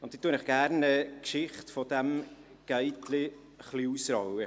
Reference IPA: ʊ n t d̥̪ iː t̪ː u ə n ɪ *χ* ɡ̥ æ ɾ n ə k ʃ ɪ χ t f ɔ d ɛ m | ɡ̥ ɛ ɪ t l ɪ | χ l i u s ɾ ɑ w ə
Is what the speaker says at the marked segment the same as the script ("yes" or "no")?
yes